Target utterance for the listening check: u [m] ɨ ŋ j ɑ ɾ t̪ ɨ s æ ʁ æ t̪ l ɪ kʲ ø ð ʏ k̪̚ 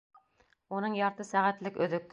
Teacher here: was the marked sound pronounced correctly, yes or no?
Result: no